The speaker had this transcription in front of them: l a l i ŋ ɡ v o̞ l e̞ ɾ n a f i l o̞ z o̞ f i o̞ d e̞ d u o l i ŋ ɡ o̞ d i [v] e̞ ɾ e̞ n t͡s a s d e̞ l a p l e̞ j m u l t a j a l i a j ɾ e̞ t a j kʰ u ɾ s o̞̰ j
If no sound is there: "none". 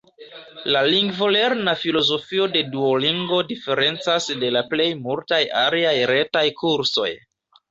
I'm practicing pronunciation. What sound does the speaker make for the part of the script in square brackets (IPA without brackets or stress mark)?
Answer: f